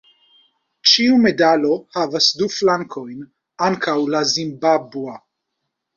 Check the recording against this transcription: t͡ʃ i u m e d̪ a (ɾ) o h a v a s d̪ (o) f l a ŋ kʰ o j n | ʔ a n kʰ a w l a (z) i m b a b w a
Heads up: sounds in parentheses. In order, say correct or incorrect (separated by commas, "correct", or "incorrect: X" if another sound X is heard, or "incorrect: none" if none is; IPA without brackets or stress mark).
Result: incorrect: l, incorrect: u, correct